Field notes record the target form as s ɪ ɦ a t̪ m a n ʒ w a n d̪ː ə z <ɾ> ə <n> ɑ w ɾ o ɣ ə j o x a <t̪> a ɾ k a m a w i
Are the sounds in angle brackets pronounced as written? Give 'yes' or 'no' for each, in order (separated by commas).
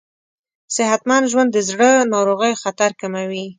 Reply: no, yes, yes